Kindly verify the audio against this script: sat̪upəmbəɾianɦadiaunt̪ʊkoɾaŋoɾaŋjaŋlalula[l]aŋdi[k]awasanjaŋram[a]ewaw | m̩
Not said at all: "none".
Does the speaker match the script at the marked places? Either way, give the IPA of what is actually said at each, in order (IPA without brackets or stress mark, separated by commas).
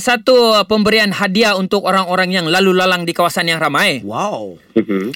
l, k, a